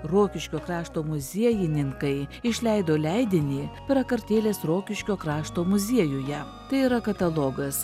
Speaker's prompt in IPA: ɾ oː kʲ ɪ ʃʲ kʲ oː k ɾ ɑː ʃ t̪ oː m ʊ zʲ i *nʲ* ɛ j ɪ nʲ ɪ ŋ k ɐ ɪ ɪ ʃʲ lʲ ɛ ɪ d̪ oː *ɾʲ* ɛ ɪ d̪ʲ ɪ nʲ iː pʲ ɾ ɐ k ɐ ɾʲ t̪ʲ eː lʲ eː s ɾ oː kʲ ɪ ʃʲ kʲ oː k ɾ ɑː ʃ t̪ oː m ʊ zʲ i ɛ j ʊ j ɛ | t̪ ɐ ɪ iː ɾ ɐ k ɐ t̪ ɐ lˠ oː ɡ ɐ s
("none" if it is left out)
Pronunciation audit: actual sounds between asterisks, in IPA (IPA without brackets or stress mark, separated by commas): none, lʲ